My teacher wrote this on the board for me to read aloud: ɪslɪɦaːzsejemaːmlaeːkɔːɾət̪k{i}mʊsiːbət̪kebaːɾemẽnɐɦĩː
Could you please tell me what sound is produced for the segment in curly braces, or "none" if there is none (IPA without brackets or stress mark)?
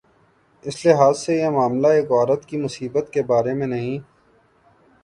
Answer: i